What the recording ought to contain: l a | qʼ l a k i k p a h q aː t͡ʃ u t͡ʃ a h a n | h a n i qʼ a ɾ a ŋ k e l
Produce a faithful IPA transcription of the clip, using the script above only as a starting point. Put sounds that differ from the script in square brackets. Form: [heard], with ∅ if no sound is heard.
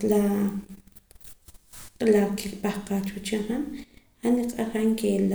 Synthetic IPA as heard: l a | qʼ l a k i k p a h q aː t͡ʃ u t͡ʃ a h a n | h a n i qʼ a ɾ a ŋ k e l